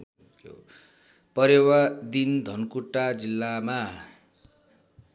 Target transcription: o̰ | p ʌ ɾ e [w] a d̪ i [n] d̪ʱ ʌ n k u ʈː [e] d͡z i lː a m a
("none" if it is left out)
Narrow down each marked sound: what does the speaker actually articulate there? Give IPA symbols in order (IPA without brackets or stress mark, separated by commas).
w, n, a